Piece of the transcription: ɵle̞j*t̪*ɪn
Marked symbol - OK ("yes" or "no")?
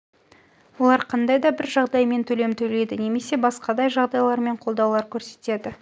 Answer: no